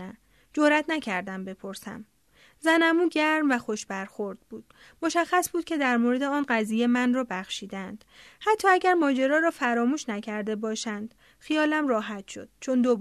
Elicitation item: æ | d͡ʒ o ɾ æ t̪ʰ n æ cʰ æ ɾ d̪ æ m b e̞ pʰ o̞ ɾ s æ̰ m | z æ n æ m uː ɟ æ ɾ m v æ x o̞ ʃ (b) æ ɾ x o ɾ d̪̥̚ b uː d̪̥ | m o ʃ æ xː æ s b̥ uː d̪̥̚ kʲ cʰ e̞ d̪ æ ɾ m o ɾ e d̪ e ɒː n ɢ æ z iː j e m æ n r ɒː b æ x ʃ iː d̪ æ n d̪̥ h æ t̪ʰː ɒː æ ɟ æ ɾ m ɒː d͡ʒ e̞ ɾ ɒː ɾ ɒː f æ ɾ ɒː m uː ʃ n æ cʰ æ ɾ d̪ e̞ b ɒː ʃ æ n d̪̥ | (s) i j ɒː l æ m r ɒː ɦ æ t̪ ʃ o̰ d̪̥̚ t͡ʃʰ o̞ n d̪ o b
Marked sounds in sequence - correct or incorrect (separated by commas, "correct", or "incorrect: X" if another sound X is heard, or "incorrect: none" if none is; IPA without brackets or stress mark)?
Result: correct, incorrect: x